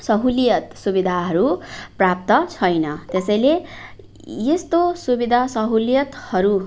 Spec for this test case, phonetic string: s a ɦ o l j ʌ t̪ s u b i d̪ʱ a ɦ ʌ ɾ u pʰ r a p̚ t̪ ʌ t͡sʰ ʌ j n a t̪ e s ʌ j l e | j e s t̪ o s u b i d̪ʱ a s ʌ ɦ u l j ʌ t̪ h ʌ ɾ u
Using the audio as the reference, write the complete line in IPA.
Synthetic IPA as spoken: s ʌ ɦ u l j ʌ t̪ s u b i d̪ʱ a ɦ ʌ ɾ u p r a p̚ t̪ ʌ t͡sʰ ʌ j n ʌ t̪ e s ʌ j l e | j e s t̪ o s u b i d̪ʱ a s ʌ ɦ u l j ʌ t̪ h ʌ ɾ u

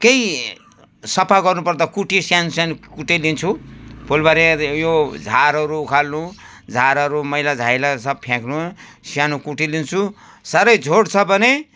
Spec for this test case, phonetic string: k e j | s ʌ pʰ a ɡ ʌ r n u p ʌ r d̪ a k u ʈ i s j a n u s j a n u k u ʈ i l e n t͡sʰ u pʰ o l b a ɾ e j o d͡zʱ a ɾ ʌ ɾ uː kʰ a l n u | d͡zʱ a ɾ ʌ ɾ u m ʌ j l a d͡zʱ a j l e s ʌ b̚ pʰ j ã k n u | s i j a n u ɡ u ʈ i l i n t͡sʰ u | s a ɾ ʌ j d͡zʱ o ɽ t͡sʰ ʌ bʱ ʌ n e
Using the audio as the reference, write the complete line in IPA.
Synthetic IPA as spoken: k e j | s ʌ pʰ a ɡ ʌ r n u p ʌ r d̪ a k u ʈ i s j a n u s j a n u k u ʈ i l i n t͡sʰ u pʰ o l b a ɾ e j o d͡zʱ a ɾ ʌ ɾ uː kʰ a l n u | d͡zʱ a ɾ ʌ ɾ u m ʌ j l a d͡zʱ a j l a s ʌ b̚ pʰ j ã k n u | s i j a n u k u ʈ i l i n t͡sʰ u | s a ɾ ʌ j d͡zʱ o ɽ t͡sʰ ʌ bʱ ʌ n e

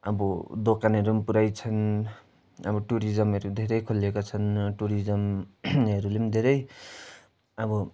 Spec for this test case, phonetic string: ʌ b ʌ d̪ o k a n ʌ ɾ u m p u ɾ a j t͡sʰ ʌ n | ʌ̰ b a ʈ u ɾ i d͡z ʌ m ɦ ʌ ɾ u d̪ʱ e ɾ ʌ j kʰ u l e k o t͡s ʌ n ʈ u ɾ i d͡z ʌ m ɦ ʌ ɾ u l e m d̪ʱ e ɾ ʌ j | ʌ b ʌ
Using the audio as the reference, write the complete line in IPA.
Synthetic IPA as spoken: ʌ b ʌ d̪ o k a n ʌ ɾ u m p u ɾ a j t͡sʰ ʌ n | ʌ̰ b ʌ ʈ u ɾ i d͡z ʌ m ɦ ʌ ɾ u d̪ʱ e ɾ ʌ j kʰ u l e k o t͡sʰ ʌ n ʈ u ɾ i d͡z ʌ m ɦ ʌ ɾ u l e m d̪ʱ e ɾ ʌ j | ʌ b ʌ

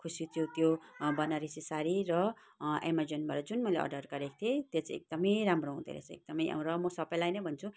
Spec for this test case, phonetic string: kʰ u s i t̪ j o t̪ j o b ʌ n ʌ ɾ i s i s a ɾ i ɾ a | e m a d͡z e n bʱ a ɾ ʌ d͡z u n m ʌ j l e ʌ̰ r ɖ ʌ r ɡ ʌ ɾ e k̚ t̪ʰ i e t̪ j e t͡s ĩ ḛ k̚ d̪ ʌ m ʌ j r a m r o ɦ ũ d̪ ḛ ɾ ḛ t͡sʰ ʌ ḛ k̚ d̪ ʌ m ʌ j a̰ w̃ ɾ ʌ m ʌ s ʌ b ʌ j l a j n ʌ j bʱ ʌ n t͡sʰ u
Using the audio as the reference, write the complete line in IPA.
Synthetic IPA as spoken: kʰ u s i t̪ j o t̪ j o b ʌ n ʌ ɾ i s i s a ɾ i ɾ ʌ | e m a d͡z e n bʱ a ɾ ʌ d͡z u n m ʌ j l e ʌ̰ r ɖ ʌ r ɡ ʌ ɾ e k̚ t̪ʰ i e t̪ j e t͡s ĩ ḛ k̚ d̪ ʌ m ʌ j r a m r o ɦ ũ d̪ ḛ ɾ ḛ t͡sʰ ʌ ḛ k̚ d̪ ʌ m ʌ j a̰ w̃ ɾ ʌ m ʌ s ʌ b ʌ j l a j n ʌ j bʱ ʌ n t͡sʰ u

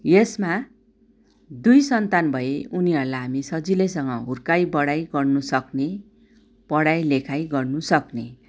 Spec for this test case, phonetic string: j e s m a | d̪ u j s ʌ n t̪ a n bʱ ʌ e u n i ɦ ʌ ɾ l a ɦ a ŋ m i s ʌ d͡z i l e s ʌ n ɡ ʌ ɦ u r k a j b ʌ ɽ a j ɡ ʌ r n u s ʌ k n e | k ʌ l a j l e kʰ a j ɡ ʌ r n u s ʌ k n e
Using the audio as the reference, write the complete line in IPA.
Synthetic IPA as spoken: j e s m a | d̪ u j s ʌ n t̪ a n bʱ ʌ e u n i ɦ ʌ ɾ l a ɦ a m i s ʌ d͡z i l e s ʌ ŋ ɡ ʌ ɦ u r k a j b ʌ ɽ a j ɡ ʌ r n u s ʌ k n e | p ʌ ɽ a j l e kʰ a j ɡ ʌ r n u s ʌ k n e

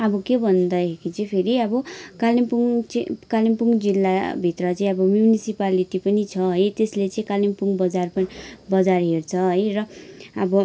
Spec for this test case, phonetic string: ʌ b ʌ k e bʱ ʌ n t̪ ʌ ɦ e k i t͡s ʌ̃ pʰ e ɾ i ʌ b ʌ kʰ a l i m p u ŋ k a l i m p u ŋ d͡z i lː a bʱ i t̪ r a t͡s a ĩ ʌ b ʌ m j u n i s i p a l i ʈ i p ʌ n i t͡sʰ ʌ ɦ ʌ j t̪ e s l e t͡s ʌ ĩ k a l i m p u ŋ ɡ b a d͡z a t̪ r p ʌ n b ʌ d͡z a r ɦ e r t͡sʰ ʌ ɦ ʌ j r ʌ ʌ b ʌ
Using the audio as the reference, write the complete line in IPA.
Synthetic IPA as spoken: ʌ b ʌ k e bʱ ʌ n d̪ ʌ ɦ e k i t͡s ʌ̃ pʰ e ɾ i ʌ b ʌ k a l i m p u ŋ k a l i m p u ŋ d͡z i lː a bʱ i t̪ r ʌ t͡s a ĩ ʌ b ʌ m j u n i s i p a l i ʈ i p ʌ n i t͡sʰ ʌ ɦ ʌ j t̪ e s l e t͡s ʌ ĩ k a l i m p u ŋ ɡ b ʌ d͡z a r p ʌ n b ʌ d͡z a r ɦ e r t͡sʰ ʌ ɦ ʌ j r ʌ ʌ b ʌ

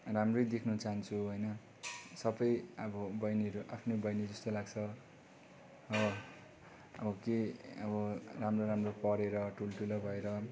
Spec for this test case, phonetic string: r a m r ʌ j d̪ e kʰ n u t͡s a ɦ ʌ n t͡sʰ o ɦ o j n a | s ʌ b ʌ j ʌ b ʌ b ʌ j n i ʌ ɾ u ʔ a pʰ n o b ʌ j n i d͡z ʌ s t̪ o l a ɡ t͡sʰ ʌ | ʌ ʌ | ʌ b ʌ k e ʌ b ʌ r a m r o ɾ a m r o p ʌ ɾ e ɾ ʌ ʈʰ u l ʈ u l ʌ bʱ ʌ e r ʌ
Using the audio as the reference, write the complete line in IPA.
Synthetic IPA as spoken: r a m r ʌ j d̪ e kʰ n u t͡s a ɦ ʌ n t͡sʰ u ɦ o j n ʌ | s ʌ b ʌ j ʌ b ʌ b ʌ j n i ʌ ɾ u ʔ a pʰ n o b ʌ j n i d͡z ʌ s t̪ o l a ɡ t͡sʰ ʌ | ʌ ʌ | ʌ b ʌ k e ʌ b ʌ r a m r o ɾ a m r o p ʌ ɾ e ɾ ʌ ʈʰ u l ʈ u l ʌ bʱ ʌ e ɾ ʌ

